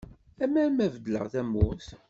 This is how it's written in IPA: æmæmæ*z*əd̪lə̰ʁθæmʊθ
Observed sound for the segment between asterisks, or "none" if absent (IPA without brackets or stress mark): v